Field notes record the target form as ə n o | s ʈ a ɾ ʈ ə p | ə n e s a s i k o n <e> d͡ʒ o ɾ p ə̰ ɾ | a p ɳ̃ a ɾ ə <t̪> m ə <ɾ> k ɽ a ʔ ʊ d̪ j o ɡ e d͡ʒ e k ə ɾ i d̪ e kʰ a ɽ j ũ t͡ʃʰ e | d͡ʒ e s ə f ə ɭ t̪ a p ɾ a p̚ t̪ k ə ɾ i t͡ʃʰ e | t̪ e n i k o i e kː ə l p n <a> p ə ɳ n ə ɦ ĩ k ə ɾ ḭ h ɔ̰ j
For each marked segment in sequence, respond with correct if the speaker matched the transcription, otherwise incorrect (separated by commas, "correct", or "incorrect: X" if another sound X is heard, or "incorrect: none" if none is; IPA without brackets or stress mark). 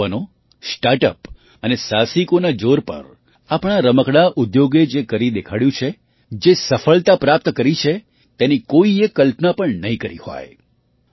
incorrect: a, incorrect: none, incorrect: none, correct